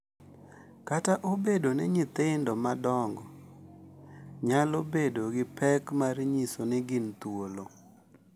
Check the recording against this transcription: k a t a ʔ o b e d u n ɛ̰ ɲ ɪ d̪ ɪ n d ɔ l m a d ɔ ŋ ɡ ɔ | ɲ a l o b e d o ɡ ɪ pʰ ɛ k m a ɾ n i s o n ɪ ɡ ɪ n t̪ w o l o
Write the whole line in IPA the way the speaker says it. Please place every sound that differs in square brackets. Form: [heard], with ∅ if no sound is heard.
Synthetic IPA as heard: k a t a ʔ o b e d [o] n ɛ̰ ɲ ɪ [t̪] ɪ n d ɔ [∅] m a d ɔ ŋ ɡ ɔ | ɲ a l o b e d o ɡ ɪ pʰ ɛ k m a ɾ [ɲ] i s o n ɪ ɡ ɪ n t̪ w o l o